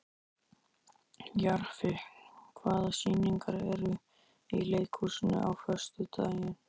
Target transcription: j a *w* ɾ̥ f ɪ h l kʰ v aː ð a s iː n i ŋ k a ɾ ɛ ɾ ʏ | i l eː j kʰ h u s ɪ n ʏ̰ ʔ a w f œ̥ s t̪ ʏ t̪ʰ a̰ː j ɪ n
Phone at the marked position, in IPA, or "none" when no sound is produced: none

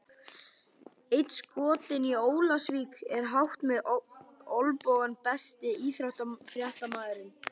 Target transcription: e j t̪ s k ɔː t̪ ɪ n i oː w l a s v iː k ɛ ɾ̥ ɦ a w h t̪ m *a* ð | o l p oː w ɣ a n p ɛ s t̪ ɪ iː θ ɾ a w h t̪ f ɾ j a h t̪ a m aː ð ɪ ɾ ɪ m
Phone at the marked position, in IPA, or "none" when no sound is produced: ɛ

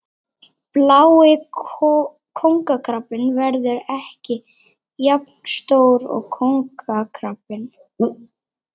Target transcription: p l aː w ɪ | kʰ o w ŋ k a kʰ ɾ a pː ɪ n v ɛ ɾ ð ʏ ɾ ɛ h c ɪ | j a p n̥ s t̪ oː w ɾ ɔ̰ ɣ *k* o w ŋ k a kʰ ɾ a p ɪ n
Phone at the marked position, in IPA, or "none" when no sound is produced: kʰ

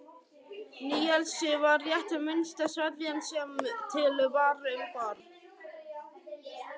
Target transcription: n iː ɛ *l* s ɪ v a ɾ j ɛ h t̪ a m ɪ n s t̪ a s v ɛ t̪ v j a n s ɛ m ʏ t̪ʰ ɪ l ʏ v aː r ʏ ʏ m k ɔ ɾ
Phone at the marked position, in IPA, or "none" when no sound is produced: l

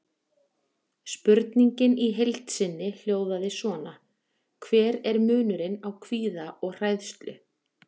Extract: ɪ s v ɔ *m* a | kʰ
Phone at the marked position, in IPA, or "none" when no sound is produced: n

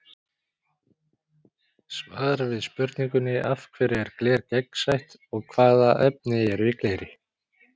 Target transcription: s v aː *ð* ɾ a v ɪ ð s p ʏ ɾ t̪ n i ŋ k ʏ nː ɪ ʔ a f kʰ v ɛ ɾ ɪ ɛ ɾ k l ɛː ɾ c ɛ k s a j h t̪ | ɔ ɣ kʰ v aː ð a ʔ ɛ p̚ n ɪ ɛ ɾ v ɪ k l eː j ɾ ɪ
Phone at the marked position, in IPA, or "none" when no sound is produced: ð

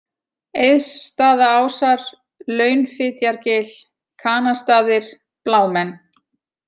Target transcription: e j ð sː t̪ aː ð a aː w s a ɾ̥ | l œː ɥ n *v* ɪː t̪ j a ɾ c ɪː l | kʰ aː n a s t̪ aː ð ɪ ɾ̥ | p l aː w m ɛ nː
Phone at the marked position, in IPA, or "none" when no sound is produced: f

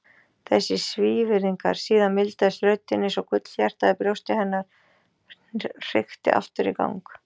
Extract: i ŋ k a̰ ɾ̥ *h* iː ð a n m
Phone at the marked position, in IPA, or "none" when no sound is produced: s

